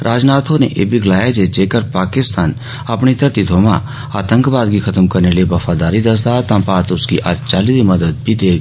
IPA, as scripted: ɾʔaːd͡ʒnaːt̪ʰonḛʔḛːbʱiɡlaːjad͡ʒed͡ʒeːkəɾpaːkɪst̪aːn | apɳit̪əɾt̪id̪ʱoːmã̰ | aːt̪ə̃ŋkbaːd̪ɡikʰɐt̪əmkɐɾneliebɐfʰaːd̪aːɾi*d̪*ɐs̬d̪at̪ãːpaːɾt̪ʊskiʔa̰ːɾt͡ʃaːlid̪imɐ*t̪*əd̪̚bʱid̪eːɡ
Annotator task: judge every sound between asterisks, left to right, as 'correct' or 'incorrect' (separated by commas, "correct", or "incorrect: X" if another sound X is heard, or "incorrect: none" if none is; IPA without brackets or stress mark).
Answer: correct, incorrect: d̪